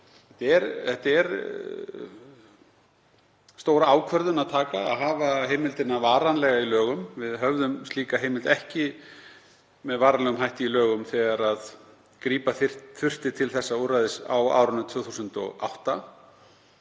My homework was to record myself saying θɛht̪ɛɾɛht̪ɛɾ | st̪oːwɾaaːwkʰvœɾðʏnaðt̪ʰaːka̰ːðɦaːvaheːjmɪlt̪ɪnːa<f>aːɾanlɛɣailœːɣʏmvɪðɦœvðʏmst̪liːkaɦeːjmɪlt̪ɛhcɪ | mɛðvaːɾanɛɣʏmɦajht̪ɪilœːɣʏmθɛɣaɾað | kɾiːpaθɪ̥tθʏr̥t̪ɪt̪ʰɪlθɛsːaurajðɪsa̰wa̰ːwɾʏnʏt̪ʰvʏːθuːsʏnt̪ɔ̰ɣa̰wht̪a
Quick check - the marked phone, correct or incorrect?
incorrect: v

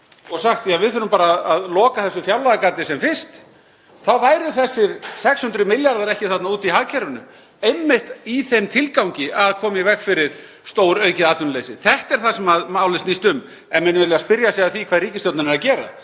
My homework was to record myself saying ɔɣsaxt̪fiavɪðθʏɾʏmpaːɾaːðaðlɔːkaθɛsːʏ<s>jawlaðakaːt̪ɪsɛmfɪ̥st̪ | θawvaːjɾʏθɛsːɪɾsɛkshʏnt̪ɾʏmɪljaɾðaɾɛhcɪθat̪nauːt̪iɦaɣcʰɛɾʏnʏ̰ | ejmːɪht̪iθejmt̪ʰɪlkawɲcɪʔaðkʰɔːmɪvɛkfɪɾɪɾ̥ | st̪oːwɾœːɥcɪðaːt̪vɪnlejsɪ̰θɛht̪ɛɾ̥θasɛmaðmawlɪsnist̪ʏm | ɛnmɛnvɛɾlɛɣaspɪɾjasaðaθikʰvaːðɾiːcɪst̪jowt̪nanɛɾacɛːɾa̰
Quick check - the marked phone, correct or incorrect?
incorrect: f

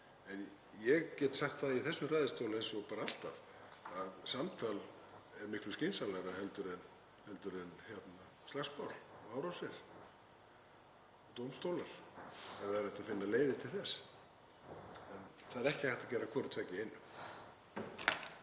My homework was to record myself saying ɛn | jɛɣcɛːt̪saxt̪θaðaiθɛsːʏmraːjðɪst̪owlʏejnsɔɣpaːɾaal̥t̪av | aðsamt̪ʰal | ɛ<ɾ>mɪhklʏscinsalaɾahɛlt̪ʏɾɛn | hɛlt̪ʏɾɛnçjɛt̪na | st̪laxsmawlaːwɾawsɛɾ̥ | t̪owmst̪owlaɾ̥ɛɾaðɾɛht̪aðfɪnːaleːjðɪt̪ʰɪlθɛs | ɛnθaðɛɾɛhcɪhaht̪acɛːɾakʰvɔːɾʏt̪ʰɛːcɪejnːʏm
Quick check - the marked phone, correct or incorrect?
correct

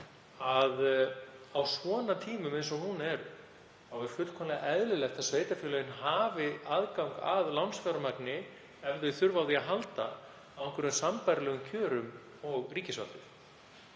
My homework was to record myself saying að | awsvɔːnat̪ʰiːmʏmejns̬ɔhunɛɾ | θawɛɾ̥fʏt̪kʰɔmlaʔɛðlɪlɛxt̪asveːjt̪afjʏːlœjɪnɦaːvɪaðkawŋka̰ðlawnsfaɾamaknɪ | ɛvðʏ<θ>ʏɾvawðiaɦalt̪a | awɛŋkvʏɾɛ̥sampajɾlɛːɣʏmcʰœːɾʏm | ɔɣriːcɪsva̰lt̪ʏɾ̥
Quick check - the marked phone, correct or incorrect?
correct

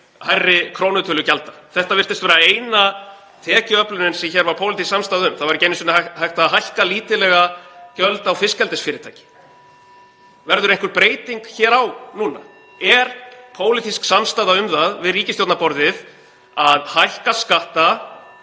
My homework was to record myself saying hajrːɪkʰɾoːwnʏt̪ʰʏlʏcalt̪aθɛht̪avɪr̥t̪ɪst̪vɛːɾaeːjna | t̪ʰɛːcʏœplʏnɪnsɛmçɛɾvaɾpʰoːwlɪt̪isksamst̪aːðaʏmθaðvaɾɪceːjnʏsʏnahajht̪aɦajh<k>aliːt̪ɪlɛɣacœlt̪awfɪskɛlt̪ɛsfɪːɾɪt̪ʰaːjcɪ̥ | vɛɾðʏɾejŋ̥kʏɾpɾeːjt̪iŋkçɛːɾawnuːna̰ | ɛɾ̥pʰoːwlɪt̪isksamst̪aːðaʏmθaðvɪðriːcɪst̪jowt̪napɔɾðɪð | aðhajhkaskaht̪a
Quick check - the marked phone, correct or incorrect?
correct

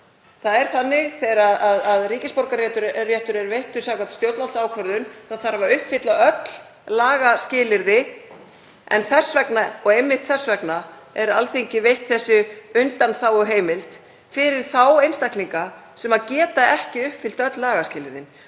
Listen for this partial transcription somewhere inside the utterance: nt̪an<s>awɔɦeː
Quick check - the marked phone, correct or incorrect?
incorrect: θ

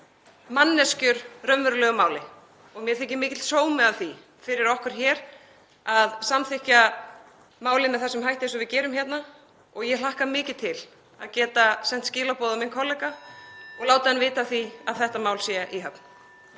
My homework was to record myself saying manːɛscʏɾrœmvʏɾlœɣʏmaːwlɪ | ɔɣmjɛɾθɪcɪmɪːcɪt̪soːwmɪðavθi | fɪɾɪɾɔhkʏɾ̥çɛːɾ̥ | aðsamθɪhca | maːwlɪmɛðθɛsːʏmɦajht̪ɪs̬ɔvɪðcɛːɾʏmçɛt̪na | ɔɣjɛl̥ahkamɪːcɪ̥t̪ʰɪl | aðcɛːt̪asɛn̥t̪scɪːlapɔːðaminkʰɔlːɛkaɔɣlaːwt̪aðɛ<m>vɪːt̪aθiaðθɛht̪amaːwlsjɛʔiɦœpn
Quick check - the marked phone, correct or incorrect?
incorrect: n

